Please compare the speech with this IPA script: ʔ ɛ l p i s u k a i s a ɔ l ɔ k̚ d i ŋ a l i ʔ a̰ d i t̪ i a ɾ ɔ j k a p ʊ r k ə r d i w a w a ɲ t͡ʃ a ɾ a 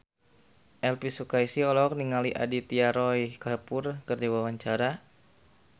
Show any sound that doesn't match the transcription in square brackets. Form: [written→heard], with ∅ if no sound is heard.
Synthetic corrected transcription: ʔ ɛ l p i s u k a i s [a→i] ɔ l ɔ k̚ [d→n] i ŋ a l i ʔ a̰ d i t̪ i a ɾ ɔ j k a p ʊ r k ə r d i w a w a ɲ t͡ʃ a ɾ a